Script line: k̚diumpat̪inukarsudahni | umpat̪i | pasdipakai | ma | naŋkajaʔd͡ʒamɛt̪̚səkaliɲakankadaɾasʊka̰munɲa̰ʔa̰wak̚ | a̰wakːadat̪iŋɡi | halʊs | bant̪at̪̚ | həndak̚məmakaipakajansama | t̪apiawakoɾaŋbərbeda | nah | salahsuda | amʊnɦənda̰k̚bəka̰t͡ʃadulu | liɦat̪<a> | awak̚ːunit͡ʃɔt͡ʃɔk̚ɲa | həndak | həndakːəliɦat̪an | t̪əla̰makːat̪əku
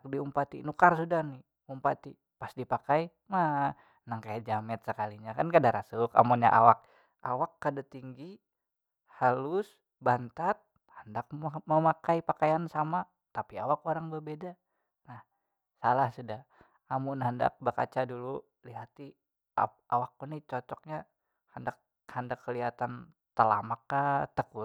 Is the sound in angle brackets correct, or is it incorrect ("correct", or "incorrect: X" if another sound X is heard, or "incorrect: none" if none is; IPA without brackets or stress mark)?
incorrect: i